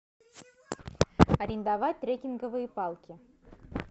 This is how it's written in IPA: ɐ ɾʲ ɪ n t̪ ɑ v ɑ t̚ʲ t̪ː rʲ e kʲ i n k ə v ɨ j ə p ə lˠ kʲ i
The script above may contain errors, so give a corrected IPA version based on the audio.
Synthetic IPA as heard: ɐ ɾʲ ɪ n d̪ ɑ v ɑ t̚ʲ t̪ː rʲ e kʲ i n ɡ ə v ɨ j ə p ɑ lˠ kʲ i